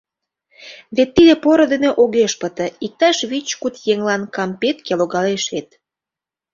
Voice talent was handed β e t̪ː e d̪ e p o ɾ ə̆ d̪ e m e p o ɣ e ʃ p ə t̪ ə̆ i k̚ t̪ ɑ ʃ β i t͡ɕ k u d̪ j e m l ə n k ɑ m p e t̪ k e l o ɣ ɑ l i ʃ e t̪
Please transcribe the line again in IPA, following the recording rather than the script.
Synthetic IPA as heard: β e t̪ː i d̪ e p o ɾ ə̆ d̪ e n e ʔ o ɣ e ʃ p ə t̪ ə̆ i k̚ t̪ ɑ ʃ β i t͡ɕ k u t̪ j e ŋ l ɑ n k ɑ m p e t̪ k e l o ɣ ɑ l e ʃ e t̪